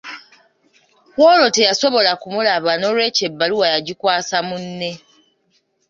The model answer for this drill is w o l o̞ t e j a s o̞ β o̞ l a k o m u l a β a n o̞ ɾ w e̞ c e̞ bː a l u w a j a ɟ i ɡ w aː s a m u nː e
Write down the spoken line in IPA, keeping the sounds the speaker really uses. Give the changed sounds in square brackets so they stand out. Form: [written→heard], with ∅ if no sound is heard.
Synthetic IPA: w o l o̞ t e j a s o̞ β o̞ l a k [o→u] m u l a β a n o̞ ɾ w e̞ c e̞ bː a l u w a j a ɟ i [ɡ→k] w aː s a m u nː e